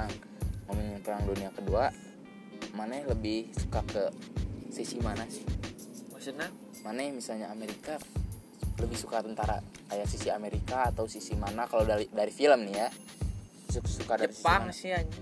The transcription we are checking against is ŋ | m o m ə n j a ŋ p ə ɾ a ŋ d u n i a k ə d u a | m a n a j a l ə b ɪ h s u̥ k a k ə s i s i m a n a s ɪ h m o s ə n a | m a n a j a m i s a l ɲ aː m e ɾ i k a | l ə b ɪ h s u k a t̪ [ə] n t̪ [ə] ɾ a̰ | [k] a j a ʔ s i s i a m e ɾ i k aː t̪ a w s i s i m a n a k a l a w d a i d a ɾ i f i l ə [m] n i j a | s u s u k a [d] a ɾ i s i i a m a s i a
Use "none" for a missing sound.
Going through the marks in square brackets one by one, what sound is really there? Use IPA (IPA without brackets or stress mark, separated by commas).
ə, a, k, m, d